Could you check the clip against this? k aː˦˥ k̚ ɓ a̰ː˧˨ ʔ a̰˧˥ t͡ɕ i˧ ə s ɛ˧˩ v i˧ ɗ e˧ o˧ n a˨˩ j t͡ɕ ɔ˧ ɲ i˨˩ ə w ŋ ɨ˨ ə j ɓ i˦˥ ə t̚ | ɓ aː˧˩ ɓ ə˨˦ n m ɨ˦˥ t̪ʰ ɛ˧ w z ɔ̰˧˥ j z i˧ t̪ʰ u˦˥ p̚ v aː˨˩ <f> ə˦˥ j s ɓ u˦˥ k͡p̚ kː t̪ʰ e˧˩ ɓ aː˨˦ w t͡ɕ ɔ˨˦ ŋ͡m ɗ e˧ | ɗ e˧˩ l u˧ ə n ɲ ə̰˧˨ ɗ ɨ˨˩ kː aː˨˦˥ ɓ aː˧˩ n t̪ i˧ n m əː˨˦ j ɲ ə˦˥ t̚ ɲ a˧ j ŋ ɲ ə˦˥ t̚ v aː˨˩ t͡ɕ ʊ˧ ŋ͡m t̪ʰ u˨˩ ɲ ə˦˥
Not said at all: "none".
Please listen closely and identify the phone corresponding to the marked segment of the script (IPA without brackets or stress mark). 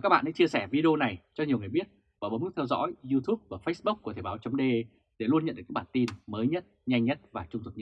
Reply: f